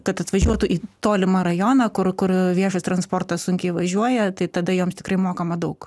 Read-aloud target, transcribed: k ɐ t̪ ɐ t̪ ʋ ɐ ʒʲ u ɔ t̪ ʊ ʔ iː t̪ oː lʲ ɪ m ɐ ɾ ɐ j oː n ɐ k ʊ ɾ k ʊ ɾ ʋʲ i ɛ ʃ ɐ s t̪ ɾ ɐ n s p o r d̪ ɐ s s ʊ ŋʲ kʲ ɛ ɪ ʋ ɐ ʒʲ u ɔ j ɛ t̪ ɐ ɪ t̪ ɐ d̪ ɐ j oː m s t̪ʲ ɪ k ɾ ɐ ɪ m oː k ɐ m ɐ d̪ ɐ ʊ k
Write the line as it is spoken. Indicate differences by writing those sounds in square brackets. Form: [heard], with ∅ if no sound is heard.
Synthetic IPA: k ɐ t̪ ɐ t̪ ʋ ɐ ʒʲ u ɔ t̪ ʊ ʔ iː t̪ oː lʲ ɪ m ɐ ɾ ɐ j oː n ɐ k ʊ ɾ k ʊ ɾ ʋʲ i ɛ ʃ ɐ s t̪ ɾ ɐ n s p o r [t̪] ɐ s s ʊ ŋʲ kʲ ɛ ɪ ʋ ɐ ʒʲ u ɔ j ɛ t̪ ɐ ɪ t̪ ɐ d̪ ɐ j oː m s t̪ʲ ɪ k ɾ ɐ ɪ m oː k ɐ m ɐ d̪ ɐ ʊ k